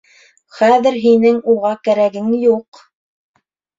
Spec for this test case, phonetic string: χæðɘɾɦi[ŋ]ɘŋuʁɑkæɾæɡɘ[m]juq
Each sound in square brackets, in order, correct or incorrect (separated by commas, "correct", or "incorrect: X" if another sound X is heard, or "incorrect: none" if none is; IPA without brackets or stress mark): incorrect: n, incorrect: ŋ